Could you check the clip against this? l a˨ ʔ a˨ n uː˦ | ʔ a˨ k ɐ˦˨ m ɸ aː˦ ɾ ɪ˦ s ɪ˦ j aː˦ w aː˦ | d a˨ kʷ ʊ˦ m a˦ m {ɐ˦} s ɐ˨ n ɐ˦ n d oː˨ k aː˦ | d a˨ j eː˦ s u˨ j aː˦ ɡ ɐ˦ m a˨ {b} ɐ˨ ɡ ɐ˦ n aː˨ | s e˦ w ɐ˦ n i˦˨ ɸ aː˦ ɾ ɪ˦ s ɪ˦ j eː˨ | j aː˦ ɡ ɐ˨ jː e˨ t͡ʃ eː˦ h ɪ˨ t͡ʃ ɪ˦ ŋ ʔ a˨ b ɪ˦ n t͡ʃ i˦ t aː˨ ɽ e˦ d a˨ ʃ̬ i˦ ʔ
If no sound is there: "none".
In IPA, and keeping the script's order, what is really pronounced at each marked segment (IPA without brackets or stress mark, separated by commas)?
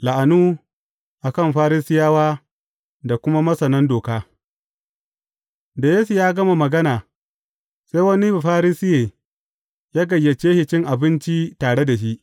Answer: ɐ˦, m